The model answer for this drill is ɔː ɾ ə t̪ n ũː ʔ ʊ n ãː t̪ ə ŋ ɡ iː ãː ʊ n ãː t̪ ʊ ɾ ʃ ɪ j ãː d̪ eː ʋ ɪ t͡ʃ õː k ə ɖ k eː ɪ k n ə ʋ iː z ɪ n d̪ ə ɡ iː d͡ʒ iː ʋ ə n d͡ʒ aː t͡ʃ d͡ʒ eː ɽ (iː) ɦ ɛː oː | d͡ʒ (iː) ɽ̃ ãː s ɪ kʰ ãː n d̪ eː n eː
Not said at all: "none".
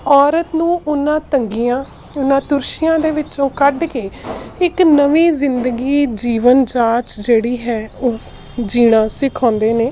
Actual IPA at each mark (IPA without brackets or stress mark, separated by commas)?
iː, iː